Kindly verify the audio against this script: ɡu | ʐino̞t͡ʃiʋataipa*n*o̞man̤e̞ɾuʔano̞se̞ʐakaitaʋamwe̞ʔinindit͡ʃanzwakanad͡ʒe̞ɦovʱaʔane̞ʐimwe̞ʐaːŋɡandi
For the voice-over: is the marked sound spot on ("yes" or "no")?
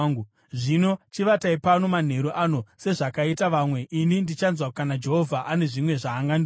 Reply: yes